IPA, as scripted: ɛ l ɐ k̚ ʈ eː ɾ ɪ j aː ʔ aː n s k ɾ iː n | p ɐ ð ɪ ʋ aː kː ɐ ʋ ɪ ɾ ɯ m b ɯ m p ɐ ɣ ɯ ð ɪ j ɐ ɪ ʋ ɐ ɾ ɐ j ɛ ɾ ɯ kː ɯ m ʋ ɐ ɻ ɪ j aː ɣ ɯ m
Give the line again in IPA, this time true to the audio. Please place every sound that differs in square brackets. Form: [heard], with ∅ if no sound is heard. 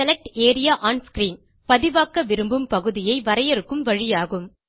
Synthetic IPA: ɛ l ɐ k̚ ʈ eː ɾ ɪ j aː ʔ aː n s k ɾ iː n | p ɐ ð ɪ ʋ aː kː ɐ ʋ ɪ ɾ ɯ m b ɯ m p ɐ ɣ ɯ ð ɪ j ɐ ɪ ʋ ɐ ɾ ɐ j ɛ ɾ ɯ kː ɯ m ʋ ɐ ɻ ɪ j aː ɣ ɯ m